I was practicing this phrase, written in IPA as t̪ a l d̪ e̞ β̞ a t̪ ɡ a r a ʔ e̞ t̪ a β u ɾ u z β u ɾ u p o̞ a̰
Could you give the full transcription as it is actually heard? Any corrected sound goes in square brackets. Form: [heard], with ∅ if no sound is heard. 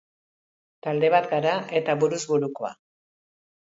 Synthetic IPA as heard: t̪ a l d̪ e̞ β̞ a t̪ ɡ a [ɾ] a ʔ e̞ t̪ a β u ɾ u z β u ɾ u [k] o̞ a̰